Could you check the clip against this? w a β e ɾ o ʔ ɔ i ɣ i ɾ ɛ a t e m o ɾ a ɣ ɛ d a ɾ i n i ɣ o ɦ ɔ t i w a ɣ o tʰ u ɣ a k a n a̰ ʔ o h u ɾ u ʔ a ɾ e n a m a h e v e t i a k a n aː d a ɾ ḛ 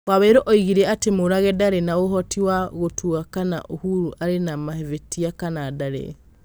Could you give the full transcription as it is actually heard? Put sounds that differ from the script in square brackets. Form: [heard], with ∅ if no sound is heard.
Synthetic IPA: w a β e ɾ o ʔ ɔ i ɣ i ɾ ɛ a t e m o ɾ a ɣ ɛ d a ɾ [e] n [a] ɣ o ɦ ɔ t i w a ɣ o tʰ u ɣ a k a n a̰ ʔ o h u ɾ u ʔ a ɾ e n a m a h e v e t i a k a n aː d a ɾ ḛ